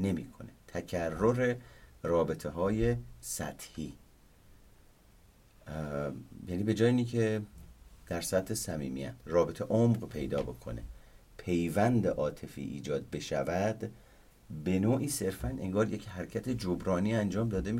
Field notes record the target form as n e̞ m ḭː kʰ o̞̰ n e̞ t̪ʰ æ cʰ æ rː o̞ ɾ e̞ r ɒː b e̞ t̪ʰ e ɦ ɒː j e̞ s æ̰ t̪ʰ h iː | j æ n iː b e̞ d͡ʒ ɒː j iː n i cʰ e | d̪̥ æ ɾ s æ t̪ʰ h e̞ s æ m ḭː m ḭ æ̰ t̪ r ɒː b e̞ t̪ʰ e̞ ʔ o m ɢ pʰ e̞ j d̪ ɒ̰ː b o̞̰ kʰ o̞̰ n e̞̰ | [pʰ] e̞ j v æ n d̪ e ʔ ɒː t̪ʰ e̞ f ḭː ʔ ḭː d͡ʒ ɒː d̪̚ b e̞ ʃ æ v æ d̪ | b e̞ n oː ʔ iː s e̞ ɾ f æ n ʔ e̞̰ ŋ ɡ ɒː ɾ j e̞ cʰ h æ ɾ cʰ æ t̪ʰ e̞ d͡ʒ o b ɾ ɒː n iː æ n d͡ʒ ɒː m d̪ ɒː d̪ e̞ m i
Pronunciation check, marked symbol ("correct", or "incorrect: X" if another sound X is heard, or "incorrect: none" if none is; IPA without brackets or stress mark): correct